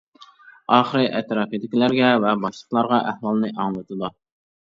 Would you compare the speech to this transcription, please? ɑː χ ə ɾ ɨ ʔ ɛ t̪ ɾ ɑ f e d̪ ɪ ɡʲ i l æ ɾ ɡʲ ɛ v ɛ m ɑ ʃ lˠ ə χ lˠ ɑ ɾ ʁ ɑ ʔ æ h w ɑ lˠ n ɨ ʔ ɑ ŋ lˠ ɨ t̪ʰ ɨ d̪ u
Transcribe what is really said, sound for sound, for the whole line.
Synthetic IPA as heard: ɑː χ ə ɾ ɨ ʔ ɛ t̪ ɾ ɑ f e d̪ ɪ kʲ i l æ ɾ ɡʲ ɛ v ɛ b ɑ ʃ lˠ ə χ lˠ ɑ ɾ ʁ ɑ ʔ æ h w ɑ lˠ n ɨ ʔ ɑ ŋ lˠ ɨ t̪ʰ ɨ d̪ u